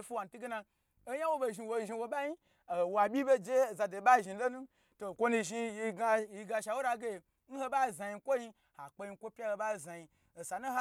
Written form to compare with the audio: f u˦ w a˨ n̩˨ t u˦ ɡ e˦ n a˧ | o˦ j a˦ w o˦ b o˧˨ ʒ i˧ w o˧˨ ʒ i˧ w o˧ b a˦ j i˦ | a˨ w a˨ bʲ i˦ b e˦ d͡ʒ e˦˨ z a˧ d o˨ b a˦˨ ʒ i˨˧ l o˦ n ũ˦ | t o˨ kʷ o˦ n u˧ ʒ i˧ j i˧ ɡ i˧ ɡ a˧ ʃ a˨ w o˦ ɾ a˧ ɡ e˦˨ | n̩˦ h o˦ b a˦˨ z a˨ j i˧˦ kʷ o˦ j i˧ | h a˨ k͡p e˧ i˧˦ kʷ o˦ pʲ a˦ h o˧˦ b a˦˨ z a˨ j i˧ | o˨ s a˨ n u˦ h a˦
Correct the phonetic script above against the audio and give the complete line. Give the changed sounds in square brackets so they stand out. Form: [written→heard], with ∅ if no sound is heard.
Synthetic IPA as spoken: f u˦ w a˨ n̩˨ t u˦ ɡ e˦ n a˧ | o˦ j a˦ w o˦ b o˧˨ ʒ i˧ w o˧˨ ʒ i˧ w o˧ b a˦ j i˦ | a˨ w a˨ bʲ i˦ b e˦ d͡ʒ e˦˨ z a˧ d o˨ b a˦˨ ʒ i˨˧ l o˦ n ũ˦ | t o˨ kʷ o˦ n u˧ ʒ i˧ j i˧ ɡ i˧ ɡ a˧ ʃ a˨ w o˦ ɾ a˧ ɡ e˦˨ | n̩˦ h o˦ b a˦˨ z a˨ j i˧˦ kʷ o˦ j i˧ | h a˨ k͡p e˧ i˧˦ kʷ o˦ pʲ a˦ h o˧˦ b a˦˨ z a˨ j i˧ | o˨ s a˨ n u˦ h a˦

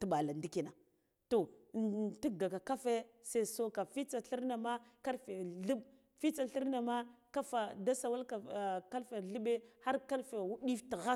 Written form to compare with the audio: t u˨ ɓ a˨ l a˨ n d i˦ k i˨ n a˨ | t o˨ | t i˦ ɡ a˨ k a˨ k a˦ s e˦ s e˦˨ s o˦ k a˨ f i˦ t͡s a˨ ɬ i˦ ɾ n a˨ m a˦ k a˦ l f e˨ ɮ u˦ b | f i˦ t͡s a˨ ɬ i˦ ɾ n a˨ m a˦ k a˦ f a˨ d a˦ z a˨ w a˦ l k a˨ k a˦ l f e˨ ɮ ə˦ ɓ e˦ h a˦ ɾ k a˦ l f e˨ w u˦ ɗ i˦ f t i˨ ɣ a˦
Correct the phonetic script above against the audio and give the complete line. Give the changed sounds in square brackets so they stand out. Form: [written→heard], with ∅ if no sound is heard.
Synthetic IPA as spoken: t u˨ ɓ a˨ l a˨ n d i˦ k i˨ n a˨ | t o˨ | t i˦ ɡ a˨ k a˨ k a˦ [s→f] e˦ s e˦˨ s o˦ k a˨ f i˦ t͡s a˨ ɬ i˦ ɾ n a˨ m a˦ k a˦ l f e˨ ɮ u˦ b | f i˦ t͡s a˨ ɬ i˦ ɾ n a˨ m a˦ k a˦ f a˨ d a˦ [z→s] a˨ w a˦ l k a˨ k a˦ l f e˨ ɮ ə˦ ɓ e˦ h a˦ ɾ k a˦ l f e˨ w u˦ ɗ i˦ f t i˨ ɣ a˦

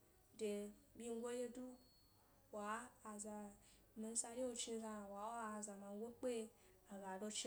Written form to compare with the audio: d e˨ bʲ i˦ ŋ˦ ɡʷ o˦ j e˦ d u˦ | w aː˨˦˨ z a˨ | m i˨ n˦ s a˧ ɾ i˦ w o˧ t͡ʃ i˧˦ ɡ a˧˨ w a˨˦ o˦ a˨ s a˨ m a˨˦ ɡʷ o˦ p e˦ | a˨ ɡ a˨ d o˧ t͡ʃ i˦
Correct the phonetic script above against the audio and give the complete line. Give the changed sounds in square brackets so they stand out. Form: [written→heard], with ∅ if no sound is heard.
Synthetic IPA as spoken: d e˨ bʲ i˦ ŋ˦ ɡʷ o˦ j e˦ d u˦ | w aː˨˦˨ z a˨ | m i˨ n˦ s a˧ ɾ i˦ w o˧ t͡ʃ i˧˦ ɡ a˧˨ w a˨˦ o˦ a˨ [s→z] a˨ m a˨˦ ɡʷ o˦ [p→k͡p] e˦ | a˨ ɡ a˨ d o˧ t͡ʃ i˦

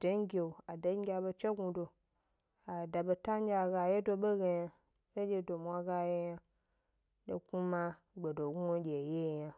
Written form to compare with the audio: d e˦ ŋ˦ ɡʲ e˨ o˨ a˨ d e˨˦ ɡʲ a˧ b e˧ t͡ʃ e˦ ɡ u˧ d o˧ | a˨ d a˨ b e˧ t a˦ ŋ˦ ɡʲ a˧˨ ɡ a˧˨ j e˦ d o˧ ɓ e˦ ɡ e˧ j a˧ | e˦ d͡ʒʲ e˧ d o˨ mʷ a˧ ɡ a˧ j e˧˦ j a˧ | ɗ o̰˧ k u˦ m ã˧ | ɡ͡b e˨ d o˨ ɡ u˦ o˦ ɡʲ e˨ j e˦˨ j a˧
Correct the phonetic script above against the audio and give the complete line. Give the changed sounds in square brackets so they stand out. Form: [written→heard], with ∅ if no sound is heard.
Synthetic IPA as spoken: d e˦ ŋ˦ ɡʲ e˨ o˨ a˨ d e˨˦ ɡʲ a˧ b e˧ t͡ʃ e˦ ɡ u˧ d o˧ | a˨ d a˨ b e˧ t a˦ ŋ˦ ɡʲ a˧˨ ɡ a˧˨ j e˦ d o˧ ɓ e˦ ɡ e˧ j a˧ | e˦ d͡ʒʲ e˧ d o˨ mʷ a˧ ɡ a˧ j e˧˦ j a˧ | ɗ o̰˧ k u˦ m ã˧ | ɡ͡b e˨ d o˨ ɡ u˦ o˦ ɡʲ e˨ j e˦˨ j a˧

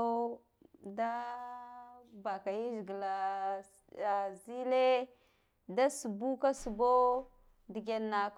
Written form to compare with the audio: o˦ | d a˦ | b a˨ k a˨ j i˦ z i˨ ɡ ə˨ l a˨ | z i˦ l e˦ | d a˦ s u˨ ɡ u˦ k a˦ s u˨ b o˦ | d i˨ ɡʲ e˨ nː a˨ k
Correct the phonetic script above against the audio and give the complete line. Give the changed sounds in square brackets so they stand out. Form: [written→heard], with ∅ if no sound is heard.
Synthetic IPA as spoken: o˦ | d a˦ | b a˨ k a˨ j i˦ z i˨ ɡ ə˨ l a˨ | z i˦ l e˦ | d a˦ s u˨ [ɡ→b] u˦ k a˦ s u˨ b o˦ | d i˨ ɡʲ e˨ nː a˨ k

